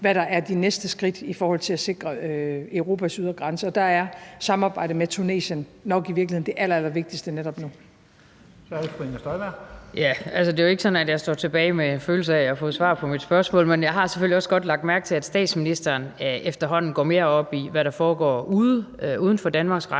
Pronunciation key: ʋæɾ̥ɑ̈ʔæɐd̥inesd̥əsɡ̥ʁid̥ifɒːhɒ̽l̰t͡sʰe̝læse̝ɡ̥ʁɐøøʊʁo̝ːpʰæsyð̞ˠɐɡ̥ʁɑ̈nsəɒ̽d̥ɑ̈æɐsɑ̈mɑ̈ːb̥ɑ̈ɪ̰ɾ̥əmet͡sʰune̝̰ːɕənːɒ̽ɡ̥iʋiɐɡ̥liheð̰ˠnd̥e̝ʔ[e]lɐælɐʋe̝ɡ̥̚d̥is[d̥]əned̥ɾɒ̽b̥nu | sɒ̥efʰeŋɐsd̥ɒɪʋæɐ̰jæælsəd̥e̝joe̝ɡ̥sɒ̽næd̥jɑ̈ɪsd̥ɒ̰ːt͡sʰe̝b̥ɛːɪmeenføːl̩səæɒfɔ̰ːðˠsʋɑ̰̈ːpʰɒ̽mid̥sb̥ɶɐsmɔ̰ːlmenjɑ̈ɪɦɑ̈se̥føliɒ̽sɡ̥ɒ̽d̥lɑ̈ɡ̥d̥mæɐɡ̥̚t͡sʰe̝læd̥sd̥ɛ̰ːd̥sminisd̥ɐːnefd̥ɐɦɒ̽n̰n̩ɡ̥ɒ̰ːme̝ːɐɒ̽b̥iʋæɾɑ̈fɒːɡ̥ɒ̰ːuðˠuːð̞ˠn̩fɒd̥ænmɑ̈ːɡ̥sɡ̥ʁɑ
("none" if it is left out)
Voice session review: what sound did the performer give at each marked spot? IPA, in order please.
æ, d̥

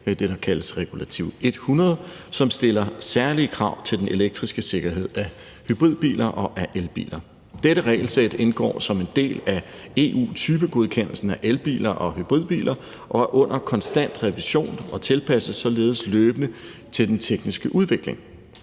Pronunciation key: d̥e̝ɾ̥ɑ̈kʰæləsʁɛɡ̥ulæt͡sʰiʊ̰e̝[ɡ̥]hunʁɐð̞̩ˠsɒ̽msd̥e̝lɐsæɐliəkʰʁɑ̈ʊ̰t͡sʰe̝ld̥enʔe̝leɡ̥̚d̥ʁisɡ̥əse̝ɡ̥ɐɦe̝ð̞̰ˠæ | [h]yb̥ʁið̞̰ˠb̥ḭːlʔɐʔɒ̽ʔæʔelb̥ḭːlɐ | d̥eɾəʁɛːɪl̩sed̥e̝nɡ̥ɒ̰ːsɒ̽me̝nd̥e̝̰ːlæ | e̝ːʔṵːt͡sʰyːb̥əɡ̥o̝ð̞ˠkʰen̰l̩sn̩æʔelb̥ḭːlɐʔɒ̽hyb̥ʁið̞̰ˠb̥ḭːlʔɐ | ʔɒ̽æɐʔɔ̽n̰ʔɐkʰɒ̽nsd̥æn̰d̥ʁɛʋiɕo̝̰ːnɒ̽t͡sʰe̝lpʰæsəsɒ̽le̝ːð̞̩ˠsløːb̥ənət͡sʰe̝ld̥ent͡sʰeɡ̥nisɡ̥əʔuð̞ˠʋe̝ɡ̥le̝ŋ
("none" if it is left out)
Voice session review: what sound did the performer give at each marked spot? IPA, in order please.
d̥, h

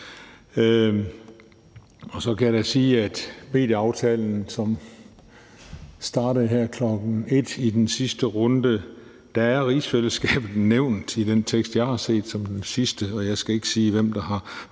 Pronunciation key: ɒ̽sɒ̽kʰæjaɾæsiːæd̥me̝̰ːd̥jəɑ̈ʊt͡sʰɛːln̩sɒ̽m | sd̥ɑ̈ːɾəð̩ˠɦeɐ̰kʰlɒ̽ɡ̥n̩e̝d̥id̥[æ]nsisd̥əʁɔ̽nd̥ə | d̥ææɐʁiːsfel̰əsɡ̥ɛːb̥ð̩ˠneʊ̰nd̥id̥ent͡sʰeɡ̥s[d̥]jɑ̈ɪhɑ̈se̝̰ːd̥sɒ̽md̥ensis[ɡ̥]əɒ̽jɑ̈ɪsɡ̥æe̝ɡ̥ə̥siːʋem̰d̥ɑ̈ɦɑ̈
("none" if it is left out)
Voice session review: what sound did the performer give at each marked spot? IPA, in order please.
e, d̥, d̥

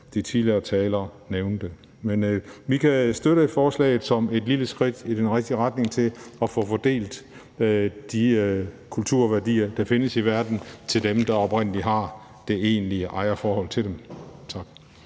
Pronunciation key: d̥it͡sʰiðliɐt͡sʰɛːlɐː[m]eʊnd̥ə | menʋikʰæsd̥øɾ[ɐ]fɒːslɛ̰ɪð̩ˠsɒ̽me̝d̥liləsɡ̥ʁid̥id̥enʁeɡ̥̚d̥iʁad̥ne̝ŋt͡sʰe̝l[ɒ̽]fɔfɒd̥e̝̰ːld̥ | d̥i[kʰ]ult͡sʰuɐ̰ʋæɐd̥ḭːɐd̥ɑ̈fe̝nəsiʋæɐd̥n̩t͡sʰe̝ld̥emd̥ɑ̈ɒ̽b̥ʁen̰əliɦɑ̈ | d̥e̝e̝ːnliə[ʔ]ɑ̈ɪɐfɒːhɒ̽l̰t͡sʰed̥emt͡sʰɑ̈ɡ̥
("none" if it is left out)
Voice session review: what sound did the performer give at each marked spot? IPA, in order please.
n, ə, ɒ̽, kʰ, ʔ

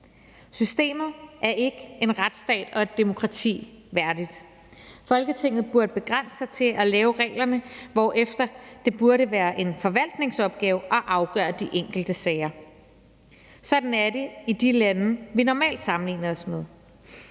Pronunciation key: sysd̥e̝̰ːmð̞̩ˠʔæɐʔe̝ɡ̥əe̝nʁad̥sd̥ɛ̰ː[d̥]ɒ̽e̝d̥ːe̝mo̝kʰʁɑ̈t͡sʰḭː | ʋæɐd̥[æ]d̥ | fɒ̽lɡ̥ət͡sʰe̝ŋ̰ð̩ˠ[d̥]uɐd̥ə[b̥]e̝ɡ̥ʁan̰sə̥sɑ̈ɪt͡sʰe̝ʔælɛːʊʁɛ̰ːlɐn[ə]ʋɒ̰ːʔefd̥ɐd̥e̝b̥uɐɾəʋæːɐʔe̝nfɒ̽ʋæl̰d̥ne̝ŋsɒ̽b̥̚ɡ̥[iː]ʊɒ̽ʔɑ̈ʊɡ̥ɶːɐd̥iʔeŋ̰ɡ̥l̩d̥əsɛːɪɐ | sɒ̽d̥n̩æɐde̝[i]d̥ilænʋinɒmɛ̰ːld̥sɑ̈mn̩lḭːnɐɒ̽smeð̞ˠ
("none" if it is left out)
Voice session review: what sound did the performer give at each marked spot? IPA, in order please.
d̥, i, b̥, b̥, ə, ɛː, i

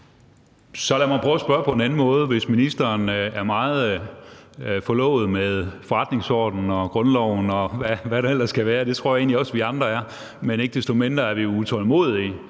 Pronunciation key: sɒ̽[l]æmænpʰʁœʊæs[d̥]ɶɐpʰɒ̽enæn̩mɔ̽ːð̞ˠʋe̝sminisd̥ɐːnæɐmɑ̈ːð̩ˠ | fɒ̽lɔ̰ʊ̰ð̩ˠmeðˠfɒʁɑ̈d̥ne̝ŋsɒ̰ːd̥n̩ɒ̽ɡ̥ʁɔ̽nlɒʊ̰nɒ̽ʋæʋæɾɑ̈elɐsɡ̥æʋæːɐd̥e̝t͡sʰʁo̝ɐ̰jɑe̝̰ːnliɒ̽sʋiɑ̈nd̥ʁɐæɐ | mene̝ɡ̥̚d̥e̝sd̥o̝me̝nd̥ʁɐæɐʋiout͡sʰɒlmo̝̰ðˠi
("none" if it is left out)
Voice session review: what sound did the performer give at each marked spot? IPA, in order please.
l, b̥

